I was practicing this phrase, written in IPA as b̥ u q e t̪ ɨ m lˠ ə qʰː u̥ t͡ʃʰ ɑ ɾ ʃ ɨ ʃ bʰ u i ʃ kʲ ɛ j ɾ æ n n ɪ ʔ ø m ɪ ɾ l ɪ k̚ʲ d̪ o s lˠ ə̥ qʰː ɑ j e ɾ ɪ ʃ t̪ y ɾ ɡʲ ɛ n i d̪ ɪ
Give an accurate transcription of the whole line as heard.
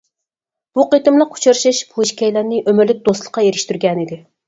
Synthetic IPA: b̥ u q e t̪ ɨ m lˠ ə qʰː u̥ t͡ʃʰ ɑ ɾ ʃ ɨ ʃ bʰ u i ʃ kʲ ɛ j l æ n n ɪ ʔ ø m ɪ ɾ l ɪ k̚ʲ d̪ o s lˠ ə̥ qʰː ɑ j e ɾ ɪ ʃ t̪ y ɾ ɡʲ ɛ n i d̪ ɪ